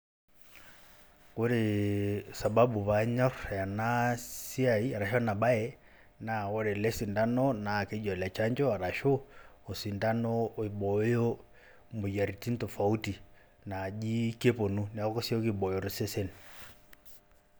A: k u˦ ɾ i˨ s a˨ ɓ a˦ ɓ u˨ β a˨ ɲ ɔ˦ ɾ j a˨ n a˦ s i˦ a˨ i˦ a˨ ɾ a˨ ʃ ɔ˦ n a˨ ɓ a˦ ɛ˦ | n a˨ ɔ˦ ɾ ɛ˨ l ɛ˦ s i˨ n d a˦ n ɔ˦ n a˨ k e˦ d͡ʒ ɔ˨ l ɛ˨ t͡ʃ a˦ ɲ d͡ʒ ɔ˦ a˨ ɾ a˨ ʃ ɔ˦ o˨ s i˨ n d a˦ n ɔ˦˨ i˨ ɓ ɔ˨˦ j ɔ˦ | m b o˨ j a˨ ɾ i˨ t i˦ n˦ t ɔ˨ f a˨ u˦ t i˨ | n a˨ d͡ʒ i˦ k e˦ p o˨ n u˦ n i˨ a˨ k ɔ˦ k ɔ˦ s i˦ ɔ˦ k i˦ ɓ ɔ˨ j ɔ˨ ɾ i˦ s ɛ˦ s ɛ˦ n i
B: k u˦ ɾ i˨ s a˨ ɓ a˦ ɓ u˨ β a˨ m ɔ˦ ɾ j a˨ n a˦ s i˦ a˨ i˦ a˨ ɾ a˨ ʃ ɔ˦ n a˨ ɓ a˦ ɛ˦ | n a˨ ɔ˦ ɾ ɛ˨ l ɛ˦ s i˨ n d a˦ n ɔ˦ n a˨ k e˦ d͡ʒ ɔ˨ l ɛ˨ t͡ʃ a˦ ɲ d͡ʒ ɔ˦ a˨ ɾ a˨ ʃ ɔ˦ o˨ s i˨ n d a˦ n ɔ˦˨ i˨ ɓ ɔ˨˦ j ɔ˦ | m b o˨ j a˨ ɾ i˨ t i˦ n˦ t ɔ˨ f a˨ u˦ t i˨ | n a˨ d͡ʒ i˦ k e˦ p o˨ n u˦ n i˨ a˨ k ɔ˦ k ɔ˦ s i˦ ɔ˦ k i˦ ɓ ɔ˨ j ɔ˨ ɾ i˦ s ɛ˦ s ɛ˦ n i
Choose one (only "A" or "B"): A